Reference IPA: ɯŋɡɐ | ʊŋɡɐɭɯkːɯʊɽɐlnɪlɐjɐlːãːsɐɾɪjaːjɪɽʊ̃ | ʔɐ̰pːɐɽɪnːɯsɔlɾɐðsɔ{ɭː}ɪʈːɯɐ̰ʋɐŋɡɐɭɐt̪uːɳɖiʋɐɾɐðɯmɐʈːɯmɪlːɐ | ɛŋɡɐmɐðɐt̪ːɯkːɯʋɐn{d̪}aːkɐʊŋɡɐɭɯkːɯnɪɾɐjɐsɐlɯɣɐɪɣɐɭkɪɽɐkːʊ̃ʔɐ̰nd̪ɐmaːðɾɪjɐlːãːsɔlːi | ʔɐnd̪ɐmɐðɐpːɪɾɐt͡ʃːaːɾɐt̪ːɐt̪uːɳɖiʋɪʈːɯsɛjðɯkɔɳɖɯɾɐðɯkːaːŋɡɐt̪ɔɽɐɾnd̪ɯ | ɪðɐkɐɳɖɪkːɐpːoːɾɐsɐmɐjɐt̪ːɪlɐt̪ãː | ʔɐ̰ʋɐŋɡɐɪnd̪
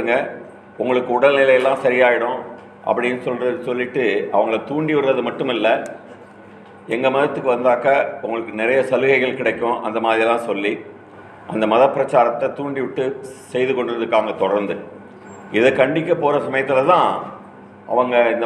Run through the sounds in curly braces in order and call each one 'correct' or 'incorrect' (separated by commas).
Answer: incorrect, correct